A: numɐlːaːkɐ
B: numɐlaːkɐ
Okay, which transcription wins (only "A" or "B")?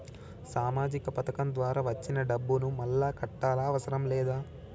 A